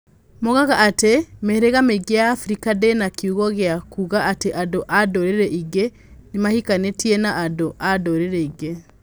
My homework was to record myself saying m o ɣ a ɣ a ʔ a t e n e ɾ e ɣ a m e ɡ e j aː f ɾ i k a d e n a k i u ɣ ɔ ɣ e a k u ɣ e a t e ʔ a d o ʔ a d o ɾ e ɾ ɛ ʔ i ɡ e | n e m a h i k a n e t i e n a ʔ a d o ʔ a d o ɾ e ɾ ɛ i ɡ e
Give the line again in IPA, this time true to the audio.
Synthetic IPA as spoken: m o ɣ a ɣ a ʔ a t e m e ɾ e ɣ a m e ɡ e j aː f ɾ i k a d e n a k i u ɣ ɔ ɣ e a k u ɣ a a t e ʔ a d o ʔ a d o ɾ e ɾ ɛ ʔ i ɡ e | n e m a h i k a n e t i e n a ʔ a d o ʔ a d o ɾ e ɾ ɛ i ɡ e